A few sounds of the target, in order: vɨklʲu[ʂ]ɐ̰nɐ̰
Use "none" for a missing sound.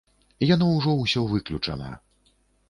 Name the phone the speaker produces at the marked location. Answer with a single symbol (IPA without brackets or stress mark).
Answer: t͡ʂ